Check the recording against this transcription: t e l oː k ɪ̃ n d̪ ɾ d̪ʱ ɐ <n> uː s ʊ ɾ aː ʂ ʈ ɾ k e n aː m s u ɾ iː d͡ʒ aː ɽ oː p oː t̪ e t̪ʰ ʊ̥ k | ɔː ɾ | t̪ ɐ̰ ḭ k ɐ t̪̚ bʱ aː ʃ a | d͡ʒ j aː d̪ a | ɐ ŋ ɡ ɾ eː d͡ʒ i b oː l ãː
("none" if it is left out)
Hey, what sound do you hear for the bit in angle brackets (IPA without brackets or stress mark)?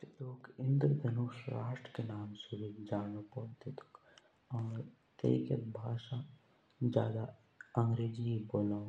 n